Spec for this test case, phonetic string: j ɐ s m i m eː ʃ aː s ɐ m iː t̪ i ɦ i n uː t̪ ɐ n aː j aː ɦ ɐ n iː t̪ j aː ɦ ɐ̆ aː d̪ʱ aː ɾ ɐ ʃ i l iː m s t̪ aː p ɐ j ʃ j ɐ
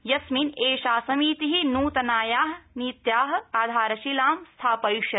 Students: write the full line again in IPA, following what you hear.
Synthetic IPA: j ɐ s m i n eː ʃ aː s ɐ m iː t̪ i ɦ i n uː t̪ ɐ n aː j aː ɦ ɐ n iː t̪ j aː ɦ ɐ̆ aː d̪ʱ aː ɾ ɐ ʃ i l aː m s t̪ʰ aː p ɐ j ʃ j ɐ